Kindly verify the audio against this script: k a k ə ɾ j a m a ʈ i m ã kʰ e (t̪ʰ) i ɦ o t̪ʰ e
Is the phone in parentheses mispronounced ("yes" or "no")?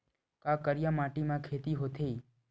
yes